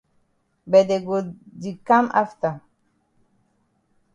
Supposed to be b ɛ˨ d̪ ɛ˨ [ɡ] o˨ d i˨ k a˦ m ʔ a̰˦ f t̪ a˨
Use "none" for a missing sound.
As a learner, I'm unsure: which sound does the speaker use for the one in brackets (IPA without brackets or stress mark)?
ɡ